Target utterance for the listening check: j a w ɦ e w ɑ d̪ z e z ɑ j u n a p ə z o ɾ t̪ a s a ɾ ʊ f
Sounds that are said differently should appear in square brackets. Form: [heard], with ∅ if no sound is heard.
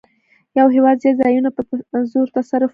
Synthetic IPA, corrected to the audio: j a w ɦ e w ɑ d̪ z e z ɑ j u n a p ə z o ɾ t̪ a s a ɾ ʊ f